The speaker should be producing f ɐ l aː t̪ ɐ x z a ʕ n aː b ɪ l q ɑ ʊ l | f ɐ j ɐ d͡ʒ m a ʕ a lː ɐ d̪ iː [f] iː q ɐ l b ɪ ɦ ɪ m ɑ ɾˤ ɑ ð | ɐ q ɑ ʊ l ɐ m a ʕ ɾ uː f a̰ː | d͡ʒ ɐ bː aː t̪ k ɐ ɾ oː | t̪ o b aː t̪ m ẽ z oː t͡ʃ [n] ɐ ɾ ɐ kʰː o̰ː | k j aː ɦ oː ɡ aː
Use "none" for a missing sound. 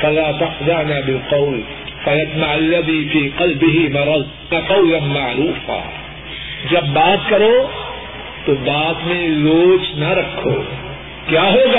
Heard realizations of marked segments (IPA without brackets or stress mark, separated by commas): f, n